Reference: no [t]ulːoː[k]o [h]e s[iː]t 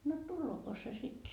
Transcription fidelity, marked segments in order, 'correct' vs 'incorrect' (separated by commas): correct, correct, incorrect, incorrect